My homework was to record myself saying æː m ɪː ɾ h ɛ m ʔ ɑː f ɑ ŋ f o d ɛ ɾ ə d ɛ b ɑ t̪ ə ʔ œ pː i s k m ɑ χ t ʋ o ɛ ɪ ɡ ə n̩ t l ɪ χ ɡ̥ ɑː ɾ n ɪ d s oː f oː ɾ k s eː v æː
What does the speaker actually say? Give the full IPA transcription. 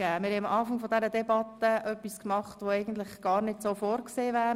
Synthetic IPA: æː m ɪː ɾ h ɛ m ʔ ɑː f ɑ ŋ f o d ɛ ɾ ə d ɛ b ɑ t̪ ə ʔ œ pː i s k m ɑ χ t ʋ o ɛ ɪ ɡ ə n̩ t l ɪ χ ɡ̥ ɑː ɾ n ɪ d s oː f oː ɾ k s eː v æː

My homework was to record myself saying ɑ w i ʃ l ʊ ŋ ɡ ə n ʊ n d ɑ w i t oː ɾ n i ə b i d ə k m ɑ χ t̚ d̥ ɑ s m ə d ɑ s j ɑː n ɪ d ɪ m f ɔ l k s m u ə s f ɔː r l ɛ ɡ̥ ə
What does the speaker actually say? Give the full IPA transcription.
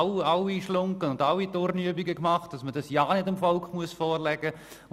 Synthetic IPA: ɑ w i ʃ l ʊ ŋ k ə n ʊ n d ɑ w i t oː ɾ n y ə b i ɡ ə k m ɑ χ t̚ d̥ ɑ s m ə d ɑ s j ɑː n ɪ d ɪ m f ɔ l k χ m u ə s f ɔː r l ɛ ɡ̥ ə

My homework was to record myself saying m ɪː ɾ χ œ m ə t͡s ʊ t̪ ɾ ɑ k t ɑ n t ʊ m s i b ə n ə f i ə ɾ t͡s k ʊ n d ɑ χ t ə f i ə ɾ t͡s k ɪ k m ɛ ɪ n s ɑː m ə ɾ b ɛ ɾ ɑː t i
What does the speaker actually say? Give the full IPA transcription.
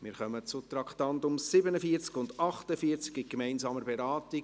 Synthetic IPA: m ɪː ɾ χ œ m ə t͡s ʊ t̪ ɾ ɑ k t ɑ n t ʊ m s ɪ b ə n ə f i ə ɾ t͡s k ʊ n d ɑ χ t ə f i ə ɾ t͡s k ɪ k m ɛ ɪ n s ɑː m ə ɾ b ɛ ɾ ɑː t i

